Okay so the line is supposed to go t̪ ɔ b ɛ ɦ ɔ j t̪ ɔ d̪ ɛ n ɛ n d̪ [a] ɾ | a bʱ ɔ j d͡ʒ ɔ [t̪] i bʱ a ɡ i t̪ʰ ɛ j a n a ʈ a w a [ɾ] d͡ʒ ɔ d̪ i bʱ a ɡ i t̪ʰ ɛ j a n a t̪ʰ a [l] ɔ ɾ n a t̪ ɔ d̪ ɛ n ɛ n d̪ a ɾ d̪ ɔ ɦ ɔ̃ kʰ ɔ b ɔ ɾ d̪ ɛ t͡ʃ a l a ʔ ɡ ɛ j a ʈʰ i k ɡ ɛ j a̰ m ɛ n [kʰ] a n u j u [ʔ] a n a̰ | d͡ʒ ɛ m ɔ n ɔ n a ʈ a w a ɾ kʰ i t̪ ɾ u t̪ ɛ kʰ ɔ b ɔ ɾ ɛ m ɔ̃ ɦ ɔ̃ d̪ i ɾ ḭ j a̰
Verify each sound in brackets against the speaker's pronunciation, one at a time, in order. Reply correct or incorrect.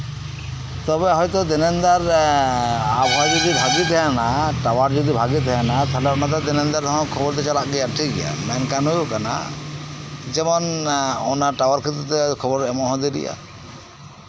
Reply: correct, incorrect, correct, correct, incorrect, incorrect

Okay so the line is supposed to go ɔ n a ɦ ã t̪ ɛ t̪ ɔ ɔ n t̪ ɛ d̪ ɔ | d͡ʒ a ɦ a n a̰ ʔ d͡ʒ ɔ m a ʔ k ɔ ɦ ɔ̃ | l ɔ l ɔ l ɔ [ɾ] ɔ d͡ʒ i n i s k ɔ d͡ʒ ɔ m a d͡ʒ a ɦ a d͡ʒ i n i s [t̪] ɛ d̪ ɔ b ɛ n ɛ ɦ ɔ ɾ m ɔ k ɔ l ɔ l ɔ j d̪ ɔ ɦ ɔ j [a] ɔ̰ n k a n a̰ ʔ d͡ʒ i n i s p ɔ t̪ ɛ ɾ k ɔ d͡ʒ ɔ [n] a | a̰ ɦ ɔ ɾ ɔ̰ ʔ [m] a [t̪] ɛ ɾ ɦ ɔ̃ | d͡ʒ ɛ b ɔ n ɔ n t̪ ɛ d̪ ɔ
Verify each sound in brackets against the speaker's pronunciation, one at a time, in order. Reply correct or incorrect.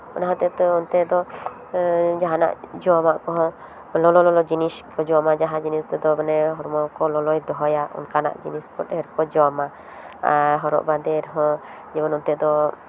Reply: incorrect, correct, correct, incorrect, incorrect, incorrect

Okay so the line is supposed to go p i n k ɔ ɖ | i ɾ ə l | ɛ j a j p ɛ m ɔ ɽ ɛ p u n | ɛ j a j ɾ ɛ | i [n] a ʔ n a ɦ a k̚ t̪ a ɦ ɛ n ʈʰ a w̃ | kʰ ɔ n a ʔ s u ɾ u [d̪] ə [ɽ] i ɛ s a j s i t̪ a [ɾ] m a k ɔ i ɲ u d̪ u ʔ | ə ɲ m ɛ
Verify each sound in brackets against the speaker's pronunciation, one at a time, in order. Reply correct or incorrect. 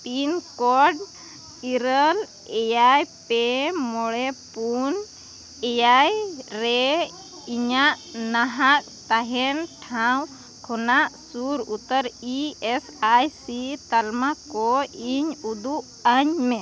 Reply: incorrect, incorrect, incorrect, incorrect

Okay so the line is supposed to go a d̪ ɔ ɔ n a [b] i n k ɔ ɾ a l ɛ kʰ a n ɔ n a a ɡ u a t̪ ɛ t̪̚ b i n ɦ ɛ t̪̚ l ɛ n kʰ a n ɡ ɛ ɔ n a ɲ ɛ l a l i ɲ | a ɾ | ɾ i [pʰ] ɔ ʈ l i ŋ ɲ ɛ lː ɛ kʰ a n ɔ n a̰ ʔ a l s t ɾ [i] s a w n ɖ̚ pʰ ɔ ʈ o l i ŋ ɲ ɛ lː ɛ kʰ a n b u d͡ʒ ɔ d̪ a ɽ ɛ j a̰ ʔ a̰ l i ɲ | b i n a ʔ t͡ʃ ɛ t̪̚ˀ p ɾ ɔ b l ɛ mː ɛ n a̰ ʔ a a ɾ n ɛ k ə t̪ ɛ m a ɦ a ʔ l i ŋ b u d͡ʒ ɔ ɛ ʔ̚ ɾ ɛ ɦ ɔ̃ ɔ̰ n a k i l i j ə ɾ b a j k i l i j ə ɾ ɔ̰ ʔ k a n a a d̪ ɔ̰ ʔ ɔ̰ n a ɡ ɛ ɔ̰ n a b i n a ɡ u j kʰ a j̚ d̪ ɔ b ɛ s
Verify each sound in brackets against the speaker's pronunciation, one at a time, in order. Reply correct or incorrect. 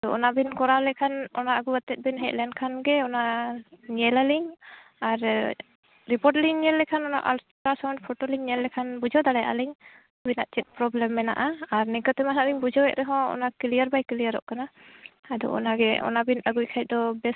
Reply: correct, incorrect, incorrect

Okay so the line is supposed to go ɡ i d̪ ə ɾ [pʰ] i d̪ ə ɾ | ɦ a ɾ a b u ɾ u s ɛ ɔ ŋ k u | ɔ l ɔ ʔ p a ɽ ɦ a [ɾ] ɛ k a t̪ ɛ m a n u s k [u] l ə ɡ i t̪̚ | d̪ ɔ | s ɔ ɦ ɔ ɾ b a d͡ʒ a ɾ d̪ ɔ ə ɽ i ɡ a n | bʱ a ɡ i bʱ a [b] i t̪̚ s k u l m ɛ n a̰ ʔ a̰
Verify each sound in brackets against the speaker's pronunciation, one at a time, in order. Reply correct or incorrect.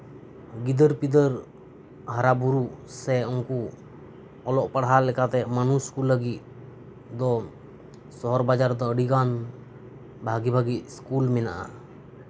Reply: incorrect, incorrect, correct, incorrect

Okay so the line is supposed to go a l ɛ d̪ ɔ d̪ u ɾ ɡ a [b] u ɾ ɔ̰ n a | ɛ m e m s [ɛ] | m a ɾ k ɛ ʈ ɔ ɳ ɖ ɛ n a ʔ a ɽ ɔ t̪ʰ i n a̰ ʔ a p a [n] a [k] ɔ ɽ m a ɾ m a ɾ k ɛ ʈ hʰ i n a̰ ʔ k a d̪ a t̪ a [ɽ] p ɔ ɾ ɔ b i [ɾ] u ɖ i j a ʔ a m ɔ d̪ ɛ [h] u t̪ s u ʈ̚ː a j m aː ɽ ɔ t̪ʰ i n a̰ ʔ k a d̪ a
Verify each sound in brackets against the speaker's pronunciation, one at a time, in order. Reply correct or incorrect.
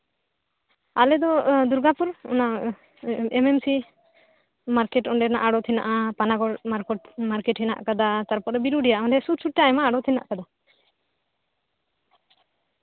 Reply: incorrect, incorrect, correct, incorrect, incorrect, correct, incorrect

